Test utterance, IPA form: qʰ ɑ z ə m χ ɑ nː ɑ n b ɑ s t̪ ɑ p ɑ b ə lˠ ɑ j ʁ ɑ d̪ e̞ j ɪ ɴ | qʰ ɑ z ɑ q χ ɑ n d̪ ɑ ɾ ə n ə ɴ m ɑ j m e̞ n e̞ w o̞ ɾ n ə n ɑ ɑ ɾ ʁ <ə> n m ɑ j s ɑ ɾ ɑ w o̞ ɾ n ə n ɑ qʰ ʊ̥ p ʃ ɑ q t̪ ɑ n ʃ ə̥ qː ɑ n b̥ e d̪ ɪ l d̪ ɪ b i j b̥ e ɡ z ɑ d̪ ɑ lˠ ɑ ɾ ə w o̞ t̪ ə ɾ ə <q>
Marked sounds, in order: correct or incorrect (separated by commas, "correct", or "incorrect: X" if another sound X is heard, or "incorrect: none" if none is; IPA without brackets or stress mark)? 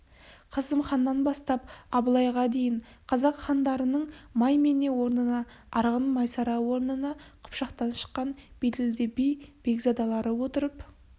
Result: correct, incorrect: p